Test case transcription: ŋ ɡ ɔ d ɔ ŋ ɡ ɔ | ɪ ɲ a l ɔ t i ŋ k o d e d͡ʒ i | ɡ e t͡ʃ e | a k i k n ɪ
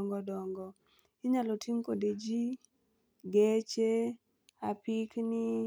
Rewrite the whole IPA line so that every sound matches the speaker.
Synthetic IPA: ŋ ɡ ɔ d ɔ ŋ ɡ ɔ | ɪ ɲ a l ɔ t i ŋ k o d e d͡ʒ i | ɡ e t͡ʃ e | a p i k n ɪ